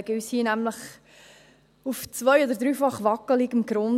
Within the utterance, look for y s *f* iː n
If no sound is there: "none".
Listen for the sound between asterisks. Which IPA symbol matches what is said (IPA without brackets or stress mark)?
h